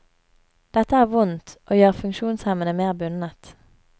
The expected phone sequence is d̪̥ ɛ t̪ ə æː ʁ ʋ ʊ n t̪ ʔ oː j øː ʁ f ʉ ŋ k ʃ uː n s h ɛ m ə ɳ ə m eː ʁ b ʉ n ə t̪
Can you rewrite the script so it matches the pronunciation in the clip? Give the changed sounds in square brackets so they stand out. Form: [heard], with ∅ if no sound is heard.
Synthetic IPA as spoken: d̪̥ ɛ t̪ ə æː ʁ ʋ ʊ n t̪ ʔ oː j øː ʁ f ʉ ŋ k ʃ uː n s h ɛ m ə [n] ə m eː ʁ b ʉ n ə t̪